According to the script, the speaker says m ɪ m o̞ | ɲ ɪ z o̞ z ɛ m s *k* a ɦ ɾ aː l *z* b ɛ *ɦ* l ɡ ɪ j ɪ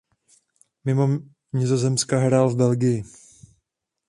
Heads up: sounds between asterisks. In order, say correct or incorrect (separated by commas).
correct, incorrect, incorrect